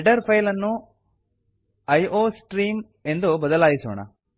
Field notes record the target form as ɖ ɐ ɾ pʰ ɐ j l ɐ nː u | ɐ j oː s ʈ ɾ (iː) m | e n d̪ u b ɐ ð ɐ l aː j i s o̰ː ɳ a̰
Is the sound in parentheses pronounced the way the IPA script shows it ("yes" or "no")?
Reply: yes